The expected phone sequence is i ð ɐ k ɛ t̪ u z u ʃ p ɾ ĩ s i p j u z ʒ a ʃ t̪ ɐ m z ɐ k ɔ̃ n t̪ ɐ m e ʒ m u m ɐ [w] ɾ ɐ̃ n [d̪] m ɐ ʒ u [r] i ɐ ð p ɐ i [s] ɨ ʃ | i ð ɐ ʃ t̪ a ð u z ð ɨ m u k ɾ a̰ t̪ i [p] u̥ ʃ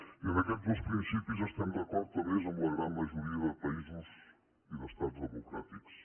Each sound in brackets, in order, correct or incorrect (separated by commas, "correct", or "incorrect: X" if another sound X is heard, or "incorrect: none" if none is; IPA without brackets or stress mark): incorrect: ɣ, correct, incorrect: ɾ, incorrect: z, incorrect: k